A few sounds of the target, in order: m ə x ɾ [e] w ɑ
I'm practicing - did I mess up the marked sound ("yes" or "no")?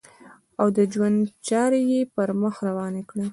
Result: yes